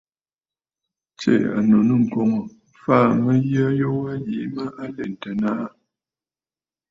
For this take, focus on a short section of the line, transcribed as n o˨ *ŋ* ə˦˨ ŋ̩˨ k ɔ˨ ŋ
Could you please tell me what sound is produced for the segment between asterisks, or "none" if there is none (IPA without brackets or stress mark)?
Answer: n